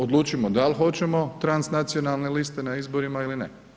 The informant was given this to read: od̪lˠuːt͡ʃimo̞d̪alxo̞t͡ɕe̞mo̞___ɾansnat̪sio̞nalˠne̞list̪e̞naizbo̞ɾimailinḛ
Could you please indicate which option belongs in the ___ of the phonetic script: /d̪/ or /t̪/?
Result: t̪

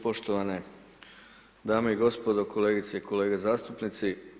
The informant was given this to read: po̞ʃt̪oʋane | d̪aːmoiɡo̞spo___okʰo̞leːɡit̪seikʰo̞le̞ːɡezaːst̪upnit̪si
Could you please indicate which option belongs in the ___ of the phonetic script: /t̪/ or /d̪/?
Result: d̪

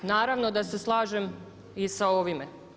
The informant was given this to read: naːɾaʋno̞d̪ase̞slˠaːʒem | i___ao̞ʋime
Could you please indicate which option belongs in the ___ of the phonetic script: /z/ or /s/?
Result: s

